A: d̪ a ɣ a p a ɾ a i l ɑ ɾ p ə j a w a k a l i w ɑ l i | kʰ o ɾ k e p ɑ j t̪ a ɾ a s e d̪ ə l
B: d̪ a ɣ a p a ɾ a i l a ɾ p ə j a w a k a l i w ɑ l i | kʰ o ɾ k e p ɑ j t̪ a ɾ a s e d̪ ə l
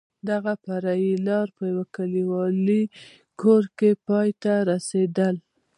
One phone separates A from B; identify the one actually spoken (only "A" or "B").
A